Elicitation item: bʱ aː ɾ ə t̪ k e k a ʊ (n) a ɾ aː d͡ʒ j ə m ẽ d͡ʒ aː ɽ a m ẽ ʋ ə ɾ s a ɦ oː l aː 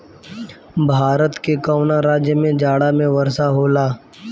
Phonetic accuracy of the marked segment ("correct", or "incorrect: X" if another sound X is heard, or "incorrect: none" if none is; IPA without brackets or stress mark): correct